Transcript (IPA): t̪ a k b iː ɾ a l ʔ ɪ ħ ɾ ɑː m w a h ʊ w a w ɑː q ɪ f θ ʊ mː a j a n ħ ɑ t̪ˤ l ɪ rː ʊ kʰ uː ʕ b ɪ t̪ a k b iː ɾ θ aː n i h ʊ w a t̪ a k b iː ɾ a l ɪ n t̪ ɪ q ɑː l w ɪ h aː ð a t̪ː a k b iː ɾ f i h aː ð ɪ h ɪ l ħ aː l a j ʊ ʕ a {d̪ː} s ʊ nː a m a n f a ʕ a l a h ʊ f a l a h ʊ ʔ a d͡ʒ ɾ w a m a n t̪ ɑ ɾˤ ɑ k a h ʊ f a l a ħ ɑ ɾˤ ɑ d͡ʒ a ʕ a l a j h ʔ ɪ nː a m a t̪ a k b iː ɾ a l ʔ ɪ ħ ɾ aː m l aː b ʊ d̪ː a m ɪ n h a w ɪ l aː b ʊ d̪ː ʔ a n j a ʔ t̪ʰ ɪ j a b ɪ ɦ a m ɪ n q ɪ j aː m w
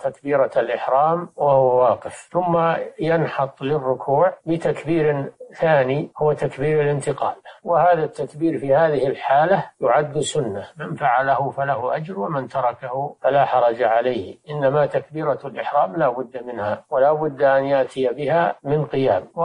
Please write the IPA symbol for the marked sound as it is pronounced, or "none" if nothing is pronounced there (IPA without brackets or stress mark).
d̪ː